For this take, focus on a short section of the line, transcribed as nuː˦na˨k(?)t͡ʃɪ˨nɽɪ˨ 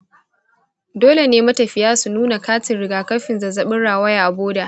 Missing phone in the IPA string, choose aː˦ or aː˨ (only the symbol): aː˦